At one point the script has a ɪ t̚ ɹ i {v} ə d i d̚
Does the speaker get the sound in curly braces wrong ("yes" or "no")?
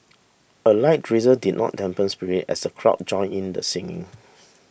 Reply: yes